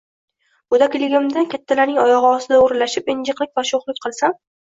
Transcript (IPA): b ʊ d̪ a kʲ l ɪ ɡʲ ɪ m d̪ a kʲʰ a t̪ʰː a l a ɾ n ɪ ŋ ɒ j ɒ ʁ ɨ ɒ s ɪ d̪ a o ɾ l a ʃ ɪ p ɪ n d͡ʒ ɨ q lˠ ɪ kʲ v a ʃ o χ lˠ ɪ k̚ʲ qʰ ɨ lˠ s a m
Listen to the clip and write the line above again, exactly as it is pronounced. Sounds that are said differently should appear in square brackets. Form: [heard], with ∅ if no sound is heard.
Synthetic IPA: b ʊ d̪ a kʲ l ɪ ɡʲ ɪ m d̪ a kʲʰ a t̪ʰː a l a ɾ n ɪ ŋ ɒ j ɒ ʁ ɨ ɒ s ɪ d̪ a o ɾ l a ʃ ɪ p ɪ n d͡ʒ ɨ q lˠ ɪ kʲ v a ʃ o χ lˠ ɪ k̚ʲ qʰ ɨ lˠ s a m